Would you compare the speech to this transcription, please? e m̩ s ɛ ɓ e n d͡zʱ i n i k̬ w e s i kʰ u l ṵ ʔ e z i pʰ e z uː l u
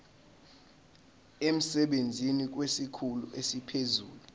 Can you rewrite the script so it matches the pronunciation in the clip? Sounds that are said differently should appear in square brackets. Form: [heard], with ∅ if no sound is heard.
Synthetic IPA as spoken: e m̩ s ɛ ɓ e n d͡zʱ i n i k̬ w e s i kʰ u l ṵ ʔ e [s] i pʰ e z uː l u